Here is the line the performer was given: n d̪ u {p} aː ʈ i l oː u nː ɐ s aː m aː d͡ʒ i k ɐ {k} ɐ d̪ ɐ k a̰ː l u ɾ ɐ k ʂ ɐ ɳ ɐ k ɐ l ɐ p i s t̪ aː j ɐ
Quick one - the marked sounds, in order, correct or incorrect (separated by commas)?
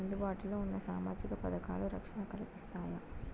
incorrect, incorrect